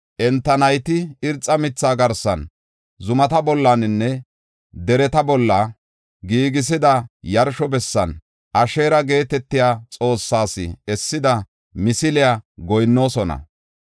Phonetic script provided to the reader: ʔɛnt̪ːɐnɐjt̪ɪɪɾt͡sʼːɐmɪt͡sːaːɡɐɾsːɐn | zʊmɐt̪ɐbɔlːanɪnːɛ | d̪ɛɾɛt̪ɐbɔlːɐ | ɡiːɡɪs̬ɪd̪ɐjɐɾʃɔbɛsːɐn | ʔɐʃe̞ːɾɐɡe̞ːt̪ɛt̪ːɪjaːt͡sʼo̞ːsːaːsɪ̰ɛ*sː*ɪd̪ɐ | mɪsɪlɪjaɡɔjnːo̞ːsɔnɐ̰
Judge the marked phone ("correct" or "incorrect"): correct